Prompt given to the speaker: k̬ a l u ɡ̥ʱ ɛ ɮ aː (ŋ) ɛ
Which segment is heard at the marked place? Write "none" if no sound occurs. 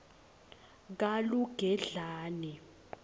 n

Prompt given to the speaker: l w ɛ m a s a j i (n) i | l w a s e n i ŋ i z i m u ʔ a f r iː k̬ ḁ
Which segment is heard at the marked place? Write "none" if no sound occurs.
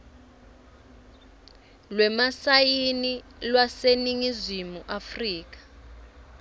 n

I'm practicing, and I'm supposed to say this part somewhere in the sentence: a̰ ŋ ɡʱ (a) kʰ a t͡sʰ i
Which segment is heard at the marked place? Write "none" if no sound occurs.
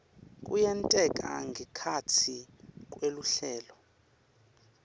ɛ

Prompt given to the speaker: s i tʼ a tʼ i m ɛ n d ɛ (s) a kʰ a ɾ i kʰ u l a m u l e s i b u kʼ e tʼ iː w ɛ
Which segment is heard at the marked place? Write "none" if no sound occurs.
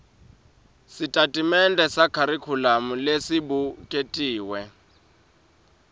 s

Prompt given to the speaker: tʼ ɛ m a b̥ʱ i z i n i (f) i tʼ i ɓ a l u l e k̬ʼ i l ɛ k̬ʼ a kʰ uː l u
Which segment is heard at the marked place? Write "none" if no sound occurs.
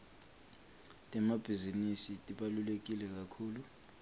s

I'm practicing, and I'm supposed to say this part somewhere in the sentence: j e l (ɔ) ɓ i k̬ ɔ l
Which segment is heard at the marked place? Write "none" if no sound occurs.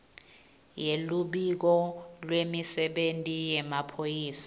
u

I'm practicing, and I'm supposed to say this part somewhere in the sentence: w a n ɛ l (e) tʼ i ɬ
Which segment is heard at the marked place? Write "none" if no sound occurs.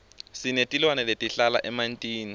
e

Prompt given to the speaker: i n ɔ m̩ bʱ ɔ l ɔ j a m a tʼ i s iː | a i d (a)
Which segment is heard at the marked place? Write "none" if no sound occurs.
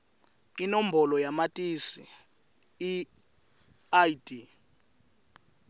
i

